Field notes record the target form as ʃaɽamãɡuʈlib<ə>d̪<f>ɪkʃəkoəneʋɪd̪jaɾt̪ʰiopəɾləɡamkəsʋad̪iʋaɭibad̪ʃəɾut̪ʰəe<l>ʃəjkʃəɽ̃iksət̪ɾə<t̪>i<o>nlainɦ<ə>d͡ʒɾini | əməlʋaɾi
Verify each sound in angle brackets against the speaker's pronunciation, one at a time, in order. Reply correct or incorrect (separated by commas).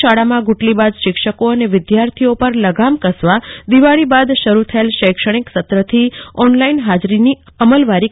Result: incorrect, incorrect, correct, incorrect, incorrect, incorrect